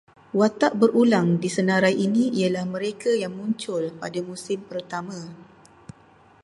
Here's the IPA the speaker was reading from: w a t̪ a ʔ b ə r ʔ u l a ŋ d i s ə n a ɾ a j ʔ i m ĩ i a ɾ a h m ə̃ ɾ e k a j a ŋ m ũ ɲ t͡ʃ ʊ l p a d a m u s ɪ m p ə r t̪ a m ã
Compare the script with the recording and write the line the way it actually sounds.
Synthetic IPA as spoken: w a t̪ a ʔ b ə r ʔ u l a ŋ d i s ə n a ɾ a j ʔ i n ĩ i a l a h m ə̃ ɾ e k a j a ŋ m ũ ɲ t͡ʃ ʊ l p a d a m u s ɪ m p ə r t̪ a m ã